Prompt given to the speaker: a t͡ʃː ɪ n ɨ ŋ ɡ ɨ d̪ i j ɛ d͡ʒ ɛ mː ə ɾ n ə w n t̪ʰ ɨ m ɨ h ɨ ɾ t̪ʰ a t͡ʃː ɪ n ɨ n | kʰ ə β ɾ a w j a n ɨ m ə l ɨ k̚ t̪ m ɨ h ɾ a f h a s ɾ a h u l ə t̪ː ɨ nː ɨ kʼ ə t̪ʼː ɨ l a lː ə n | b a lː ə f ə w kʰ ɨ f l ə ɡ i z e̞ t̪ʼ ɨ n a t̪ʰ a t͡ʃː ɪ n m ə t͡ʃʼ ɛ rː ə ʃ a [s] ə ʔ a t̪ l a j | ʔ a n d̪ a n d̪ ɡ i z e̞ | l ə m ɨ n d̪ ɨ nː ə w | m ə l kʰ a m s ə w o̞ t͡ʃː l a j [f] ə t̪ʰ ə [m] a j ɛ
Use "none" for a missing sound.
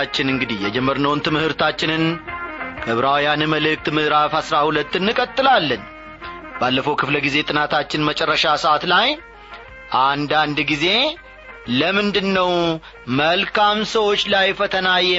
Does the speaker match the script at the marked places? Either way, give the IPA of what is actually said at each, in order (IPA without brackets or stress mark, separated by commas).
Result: s, f, n